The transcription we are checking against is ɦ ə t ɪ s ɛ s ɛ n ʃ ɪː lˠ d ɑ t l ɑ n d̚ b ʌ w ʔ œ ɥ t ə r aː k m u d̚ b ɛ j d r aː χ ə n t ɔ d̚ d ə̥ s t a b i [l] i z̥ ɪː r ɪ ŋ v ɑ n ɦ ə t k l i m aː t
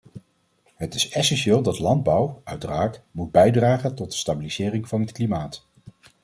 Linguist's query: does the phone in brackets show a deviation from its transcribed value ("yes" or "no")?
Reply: no